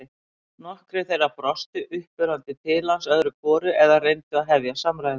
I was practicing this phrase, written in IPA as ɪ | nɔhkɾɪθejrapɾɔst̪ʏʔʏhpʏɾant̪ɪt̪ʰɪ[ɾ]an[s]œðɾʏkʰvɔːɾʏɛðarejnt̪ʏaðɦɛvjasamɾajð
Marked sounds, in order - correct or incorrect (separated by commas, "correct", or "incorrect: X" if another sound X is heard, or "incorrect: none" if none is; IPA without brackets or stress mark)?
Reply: incorrect: l, correct